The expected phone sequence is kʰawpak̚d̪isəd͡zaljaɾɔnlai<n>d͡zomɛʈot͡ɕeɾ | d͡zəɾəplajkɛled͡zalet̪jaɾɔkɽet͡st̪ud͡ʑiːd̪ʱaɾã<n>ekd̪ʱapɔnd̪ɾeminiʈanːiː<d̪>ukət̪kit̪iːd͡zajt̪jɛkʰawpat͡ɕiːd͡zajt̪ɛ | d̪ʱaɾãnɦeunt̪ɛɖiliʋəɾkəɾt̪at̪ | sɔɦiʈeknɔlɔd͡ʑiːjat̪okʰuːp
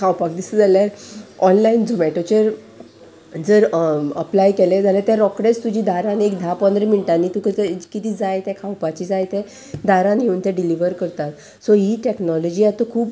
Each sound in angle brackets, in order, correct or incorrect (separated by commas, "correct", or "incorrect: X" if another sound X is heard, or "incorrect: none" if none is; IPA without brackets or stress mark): correct, correct, incorrect: t̪